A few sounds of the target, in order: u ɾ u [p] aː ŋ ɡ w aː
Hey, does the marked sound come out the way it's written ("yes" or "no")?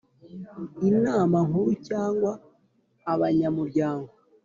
no